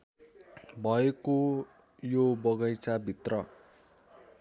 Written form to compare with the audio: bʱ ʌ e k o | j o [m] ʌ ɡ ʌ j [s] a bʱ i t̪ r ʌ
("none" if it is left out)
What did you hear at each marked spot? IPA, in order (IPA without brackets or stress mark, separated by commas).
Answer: b, t͡s